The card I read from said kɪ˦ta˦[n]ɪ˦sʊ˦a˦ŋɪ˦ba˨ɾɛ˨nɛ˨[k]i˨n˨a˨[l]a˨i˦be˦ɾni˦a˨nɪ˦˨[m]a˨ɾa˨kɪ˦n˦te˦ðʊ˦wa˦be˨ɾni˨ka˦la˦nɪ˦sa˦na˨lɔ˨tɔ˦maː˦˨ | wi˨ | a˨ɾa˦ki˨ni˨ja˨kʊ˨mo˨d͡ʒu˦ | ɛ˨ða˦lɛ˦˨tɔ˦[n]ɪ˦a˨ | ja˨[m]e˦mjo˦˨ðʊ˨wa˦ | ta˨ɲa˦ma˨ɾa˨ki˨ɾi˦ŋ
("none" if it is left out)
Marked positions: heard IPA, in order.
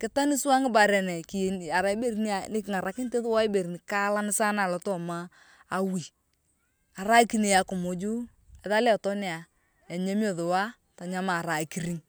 n, k, ɾ, ŋ, n, ɲ

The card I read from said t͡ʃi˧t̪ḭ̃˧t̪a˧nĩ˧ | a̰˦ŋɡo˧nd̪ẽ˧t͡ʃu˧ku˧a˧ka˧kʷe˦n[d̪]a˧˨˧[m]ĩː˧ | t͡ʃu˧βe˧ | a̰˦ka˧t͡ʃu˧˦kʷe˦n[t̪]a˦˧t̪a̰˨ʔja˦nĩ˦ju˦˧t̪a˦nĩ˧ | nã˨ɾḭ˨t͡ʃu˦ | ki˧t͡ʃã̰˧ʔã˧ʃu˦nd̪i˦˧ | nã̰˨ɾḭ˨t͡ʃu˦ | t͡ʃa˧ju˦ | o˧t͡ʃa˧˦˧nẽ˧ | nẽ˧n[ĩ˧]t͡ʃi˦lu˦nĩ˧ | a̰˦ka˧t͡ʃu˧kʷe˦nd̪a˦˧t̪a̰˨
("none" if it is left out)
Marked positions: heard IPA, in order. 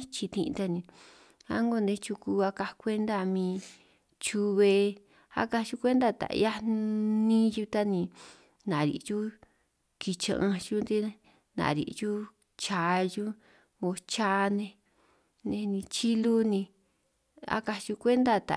d̪, m, d̪, ĩ˧

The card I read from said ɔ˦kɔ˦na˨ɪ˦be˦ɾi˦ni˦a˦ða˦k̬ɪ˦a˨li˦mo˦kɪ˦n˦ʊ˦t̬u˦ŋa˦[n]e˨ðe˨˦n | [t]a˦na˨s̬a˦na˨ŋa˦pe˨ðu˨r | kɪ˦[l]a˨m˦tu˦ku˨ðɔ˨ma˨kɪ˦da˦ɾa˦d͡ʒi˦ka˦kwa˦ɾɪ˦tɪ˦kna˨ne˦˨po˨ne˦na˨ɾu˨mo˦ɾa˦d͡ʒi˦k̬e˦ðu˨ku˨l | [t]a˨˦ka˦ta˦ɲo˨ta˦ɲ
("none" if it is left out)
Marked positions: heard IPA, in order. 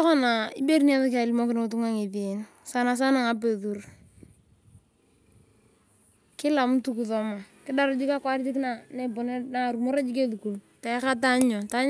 ŋ, s, l, t

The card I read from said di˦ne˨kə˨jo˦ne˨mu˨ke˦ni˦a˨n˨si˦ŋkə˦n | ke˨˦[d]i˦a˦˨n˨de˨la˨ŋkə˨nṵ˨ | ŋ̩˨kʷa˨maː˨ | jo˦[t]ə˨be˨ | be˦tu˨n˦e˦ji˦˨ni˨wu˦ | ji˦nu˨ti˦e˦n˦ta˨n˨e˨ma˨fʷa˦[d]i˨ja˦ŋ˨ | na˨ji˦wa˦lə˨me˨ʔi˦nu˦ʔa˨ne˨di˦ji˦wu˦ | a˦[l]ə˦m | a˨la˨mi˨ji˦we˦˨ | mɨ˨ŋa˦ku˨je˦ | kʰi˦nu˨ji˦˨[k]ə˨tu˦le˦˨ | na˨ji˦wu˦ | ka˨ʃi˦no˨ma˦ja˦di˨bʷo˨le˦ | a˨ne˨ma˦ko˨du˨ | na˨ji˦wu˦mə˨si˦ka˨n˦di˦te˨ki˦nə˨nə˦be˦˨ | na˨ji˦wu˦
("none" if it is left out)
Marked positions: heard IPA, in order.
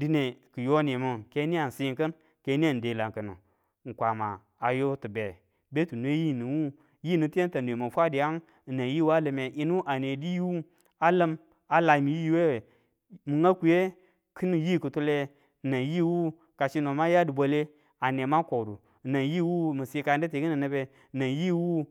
n, t, d, l, k

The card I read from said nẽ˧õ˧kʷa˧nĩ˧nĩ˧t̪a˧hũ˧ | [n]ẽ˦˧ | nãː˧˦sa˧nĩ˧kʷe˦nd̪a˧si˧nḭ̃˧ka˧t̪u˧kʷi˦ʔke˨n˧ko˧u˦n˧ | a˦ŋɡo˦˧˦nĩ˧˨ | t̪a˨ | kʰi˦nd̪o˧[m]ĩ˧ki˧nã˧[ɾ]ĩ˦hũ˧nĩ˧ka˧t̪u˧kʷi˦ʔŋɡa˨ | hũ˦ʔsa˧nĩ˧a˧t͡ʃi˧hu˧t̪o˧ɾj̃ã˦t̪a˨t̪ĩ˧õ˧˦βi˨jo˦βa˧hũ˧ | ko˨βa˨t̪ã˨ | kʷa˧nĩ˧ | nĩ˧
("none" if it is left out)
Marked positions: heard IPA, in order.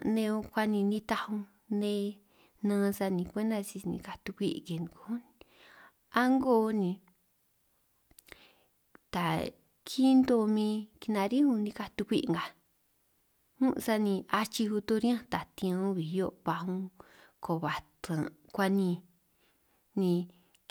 n, m, ɾ

